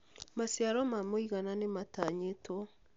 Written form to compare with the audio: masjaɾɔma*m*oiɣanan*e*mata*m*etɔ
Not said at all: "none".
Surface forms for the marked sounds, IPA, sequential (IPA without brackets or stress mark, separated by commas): m, e, ɲ